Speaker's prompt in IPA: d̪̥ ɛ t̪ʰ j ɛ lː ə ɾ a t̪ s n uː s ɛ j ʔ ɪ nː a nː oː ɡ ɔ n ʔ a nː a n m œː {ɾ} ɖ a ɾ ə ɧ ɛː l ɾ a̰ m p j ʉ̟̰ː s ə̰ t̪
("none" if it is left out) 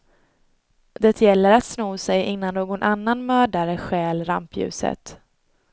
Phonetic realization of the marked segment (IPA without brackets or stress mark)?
none